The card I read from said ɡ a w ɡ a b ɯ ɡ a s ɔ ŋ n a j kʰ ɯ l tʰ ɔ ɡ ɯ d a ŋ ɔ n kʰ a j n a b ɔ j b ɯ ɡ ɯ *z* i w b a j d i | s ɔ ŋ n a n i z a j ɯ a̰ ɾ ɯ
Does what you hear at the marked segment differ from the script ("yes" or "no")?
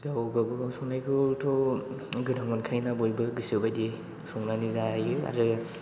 yes